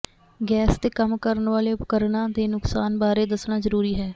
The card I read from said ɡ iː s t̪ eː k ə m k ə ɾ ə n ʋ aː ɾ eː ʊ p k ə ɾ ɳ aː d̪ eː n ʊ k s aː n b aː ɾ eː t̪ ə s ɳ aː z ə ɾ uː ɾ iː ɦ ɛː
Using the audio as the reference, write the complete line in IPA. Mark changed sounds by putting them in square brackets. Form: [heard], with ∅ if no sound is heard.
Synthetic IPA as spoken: ɡ [ɛː] s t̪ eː k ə m k ə ɾ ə n ʋ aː [l] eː ʊ p k ə ɾ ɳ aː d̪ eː n ʊ k s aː n b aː ɾ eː [d̪] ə s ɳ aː z ə ɾ uː ɾ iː ɦ ɛː